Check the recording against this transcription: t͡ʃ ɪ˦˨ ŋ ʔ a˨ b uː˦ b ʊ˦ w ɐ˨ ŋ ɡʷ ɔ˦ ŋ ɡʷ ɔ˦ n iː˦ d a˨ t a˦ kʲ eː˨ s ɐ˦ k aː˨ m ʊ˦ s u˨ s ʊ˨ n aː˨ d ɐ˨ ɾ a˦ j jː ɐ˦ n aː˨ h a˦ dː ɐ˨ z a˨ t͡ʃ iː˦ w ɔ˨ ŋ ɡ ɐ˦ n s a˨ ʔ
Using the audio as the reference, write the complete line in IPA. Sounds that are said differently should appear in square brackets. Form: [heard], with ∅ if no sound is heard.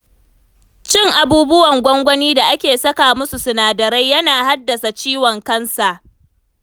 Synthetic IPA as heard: t͡ʃ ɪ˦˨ ŋ ʔ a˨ b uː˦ b ʊ˦ w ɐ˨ ŋ ɡʷ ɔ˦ ŋ ɡʷ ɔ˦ n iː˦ d a˨ [ʔ] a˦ kʲ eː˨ s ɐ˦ k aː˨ m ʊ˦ s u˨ s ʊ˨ n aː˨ d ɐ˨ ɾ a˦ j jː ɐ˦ n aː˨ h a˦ dː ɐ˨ [s] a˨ t͡ʃ iː˦ w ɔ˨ ŋ [k] ɐ˦ n s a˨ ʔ